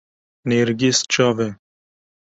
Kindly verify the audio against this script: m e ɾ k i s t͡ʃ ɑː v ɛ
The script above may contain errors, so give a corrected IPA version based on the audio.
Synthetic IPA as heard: n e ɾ ɡ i s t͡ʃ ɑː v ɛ

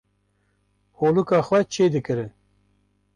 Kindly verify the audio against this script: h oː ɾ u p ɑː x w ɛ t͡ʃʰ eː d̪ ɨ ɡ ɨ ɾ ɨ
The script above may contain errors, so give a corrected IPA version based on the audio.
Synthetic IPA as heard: h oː l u k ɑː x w ɛ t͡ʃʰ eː d̪ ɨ k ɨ ɾ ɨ

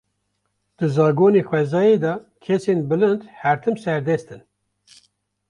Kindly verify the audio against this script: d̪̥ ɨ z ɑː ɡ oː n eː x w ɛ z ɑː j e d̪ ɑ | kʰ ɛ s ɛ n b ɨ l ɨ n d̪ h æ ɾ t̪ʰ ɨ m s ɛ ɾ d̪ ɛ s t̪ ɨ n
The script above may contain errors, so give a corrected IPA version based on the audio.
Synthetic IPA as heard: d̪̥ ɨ z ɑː ɡ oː n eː x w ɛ z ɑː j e d̪ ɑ | kʰ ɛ s e n b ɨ l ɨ n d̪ h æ ɾ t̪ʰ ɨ m s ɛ ɾ d̪ ɛ s t̪ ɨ n

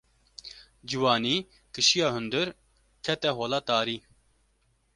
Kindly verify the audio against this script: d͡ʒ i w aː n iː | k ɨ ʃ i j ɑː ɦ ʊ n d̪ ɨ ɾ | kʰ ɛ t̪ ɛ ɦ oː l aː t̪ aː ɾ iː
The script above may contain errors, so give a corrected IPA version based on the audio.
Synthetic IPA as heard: d͡ʒ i w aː n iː | k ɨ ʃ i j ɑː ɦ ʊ n d̪ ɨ ɾ | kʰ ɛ t̪ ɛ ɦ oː l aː t̪ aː ɾ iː

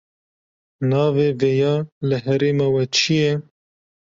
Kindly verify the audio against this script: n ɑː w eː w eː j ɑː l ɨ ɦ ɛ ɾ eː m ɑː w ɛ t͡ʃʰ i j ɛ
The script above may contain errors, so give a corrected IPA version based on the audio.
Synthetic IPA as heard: n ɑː v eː v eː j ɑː l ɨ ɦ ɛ ɾ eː m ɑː w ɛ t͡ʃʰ i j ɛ

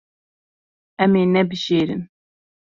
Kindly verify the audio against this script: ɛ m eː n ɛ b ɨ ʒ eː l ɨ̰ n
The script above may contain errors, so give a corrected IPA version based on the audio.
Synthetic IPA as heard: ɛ m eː n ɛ b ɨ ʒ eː ɾ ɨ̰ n

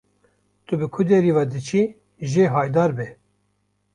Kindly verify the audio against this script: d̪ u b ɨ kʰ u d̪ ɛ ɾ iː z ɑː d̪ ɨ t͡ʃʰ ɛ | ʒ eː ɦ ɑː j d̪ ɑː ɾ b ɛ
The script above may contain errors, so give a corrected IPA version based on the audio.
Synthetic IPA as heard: t̪ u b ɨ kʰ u d̪ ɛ ɾ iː v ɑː d̪ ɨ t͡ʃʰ i | ʒ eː ɦ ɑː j d̪ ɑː ɾ b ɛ

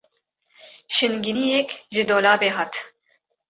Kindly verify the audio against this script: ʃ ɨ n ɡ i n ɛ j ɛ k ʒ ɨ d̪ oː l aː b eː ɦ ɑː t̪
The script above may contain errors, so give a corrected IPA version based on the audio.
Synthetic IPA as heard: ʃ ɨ n ɡ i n i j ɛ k ʒ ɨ d̪ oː l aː b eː ɦ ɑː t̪

